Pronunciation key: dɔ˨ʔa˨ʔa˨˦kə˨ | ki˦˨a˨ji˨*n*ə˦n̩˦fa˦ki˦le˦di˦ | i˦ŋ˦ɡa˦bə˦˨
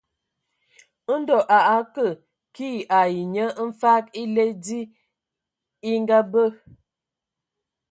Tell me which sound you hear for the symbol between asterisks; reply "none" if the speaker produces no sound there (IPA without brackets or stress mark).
ɲ